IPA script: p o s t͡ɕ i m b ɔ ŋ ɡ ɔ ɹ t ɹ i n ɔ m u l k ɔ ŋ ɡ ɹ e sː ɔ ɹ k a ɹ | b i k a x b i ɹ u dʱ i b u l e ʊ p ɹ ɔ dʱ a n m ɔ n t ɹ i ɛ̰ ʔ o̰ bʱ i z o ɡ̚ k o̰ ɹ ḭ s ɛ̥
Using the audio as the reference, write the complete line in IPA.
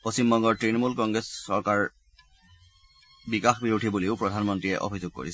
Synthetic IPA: p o s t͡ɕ i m b ɔ ŋ ɡ ɔ ɹ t ɹ i n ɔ m u l k ɔ ŋ ɡ ɹ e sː ɔ ɹ k a ɹ | b i k a x b i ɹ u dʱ i b u l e ʊ p ɹ ɔ dʱ a n m ɔ n t ɹ i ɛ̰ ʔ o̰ bʱ i z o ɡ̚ k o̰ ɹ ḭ s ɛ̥